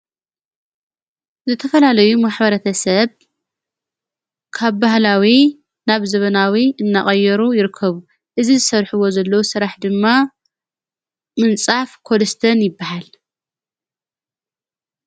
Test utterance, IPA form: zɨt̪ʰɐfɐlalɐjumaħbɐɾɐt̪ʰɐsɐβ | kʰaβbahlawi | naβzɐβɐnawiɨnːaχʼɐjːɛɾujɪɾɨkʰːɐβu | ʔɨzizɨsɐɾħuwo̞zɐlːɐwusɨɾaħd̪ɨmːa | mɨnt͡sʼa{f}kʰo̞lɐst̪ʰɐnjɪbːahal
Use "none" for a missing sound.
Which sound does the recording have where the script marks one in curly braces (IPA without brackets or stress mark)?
f